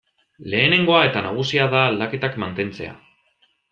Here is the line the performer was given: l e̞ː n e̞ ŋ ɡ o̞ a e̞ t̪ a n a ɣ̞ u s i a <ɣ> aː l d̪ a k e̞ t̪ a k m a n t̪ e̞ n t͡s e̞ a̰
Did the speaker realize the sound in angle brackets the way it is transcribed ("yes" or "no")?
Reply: no